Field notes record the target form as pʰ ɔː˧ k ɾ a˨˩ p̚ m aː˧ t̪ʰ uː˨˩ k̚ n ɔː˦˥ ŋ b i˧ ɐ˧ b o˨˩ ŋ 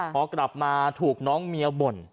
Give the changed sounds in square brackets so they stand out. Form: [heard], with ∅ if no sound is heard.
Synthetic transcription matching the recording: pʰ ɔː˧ k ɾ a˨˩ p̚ m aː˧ t̪ʰ uː˨˩ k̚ n ɔː˦˥ ŋ [m] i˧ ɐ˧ b o˨˩ [n]